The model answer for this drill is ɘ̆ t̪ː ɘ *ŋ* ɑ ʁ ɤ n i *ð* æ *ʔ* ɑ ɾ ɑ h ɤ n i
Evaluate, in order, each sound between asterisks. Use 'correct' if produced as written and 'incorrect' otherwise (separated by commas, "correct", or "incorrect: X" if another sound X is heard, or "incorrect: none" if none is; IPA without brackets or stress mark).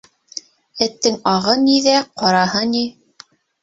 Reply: correct, correct, incorrect: q